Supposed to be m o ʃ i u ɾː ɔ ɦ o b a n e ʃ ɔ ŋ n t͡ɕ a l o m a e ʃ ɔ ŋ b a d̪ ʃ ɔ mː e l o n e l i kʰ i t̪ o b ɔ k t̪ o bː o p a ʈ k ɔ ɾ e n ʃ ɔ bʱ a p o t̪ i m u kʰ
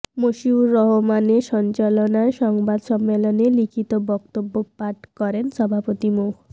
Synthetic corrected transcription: m o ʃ i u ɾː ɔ ɦ o m a n e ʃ ɔ n t͡ɕ a l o n a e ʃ ɔ ŋ b a d̪ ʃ ɔ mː e l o n e l i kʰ i t̪ o b ɔ k t̪ o bː o p a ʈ k ɔ ɾ e n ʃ ɔ bʱ a p o t̪ i m u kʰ